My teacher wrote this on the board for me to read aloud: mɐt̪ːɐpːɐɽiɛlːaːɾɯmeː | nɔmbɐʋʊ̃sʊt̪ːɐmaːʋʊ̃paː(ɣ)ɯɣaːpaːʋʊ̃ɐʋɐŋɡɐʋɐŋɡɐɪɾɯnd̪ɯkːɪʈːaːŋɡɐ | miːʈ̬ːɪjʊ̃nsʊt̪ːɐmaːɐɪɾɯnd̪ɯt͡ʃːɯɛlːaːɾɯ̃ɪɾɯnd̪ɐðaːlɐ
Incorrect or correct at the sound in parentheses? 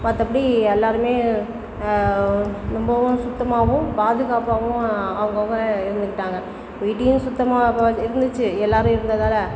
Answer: incorrect: ð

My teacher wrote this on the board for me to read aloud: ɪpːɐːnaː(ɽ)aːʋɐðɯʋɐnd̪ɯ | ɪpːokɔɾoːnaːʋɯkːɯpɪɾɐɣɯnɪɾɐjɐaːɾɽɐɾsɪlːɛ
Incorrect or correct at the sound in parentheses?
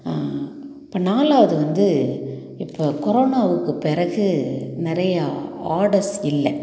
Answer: incorrect: l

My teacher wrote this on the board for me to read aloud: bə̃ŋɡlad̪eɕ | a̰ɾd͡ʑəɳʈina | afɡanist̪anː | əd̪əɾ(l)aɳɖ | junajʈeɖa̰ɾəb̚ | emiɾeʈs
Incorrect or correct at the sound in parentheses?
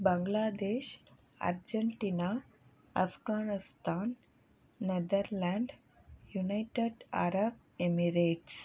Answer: correct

